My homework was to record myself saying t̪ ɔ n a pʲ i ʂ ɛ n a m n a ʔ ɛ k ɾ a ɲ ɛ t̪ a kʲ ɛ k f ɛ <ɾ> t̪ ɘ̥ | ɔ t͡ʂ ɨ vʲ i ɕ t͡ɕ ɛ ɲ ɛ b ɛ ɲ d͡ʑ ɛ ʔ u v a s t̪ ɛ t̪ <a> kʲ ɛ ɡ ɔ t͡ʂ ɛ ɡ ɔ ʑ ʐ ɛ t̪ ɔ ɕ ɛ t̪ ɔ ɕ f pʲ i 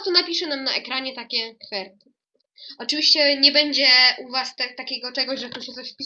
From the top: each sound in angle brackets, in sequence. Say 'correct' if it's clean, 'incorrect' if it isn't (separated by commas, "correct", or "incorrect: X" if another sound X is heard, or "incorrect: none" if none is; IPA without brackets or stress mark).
correct, correct